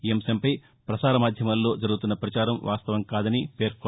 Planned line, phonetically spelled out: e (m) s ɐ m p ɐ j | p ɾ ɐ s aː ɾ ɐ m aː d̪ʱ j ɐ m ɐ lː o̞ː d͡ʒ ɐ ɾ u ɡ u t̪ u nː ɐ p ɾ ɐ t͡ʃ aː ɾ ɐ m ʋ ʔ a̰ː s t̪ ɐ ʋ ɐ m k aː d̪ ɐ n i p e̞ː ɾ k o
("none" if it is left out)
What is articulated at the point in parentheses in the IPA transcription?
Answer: m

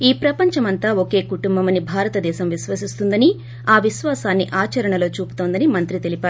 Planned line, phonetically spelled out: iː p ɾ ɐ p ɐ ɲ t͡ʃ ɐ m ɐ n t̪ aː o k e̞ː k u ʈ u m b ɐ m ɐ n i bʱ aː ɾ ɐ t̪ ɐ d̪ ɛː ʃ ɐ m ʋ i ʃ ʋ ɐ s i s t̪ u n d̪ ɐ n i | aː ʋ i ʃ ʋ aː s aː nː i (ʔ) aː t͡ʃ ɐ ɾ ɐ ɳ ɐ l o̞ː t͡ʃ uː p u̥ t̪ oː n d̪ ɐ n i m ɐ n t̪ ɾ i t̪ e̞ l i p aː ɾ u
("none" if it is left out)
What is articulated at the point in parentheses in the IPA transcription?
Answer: ʔ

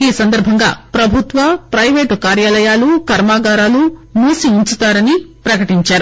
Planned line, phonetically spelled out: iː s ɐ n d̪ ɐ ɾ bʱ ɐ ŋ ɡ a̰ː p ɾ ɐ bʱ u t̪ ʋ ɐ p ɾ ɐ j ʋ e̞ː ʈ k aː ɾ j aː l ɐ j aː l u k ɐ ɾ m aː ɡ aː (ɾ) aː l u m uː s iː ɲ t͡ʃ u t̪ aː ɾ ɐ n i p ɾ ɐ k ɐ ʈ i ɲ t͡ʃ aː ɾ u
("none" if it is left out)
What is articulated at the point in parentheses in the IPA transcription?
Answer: ɾ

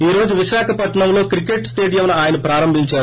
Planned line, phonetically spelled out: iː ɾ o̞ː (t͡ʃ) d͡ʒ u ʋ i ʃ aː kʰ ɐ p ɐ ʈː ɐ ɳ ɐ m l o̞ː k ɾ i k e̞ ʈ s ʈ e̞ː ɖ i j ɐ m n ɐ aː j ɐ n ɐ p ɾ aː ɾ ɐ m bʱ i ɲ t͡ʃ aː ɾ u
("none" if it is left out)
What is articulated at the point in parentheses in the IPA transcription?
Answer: none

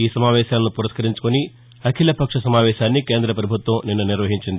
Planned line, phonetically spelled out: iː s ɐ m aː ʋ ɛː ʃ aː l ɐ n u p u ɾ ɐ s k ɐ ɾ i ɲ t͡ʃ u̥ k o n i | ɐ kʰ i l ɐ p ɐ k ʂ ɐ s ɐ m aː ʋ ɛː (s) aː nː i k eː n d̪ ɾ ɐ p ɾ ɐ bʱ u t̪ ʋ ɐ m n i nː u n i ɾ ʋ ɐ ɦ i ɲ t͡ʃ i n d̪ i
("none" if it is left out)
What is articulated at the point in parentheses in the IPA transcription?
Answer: ʃ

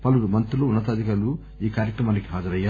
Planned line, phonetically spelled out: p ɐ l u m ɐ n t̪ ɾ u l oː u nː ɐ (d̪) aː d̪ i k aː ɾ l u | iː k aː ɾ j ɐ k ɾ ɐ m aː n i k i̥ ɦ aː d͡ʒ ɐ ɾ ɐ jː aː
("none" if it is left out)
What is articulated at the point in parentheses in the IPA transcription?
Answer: t̪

